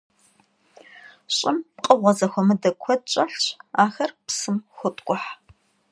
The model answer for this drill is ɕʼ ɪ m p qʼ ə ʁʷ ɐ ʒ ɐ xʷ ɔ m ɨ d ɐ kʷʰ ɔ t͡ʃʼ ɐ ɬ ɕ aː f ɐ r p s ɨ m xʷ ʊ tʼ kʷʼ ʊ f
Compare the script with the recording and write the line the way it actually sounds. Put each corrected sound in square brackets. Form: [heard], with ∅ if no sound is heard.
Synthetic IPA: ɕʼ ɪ m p qʼ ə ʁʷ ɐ [z] ɐ xʷ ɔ m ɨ d ɐ kʷʰ ɔ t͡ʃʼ ɐ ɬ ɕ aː [x] ɐ r p s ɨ m xʷ ʊ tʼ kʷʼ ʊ [ħ]